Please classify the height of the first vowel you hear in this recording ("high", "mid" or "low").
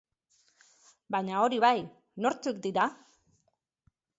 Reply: low